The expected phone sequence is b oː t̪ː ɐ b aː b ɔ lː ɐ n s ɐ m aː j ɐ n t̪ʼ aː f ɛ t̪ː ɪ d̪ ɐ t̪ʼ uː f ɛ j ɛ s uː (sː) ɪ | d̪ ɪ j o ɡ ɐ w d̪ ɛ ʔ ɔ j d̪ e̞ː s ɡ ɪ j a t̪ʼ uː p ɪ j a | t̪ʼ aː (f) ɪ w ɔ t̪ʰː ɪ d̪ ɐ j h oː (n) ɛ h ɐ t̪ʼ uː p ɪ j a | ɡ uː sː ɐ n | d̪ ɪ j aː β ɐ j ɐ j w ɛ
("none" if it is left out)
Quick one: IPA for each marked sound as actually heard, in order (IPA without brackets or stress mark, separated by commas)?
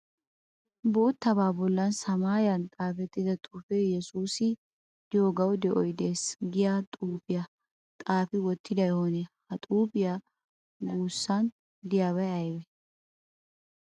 s, f, n